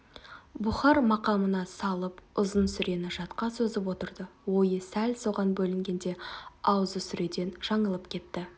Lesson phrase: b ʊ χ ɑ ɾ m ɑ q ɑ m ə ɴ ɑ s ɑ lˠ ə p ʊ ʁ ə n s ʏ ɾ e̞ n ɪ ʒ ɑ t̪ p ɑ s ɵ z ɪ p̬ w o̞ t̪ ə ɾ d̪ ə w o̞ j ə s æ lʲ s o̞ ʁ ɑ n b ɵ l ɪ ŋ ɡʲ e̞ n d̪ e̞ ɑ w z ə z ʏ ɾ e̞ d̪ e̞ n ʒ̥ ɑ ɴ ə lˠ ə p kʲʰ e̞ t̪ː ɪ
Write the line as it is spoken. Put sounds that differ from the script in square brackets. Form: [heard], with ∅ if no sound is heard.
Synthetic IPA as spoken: b ʊ χ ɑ ɾ m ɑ q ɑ m ə [n] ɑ s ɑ lˠ ə p ʊ [z] ə n s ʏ ɾ e̞ n ɪ ʒ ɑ t̪ [q] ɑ s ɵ z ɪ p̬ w o̞ t̪ ə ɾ d̪ ə w o̞ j ə s æ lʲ s o̞ ʁ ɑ n b ɵ l ɪ ŋ ɡʲ e̞ n d̪ e̞ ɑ w z ə [s] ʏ ɾ e̞ d̪ e̞ n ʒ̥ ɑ ɴ ə lˠ ə p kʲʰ e̞ t̪ː ɪ